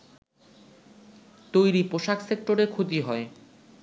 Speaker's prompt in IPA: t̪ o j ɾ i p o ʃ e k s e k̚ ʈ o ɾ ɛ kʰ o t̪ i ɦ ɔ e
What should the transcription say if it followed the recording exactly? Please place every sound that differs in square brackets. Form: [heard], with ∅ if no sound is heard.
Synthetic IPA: t̪ o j ɾ i p o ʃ [a] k s e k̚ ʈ o ɾ [e] kʰ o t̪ i ɦ ɔ e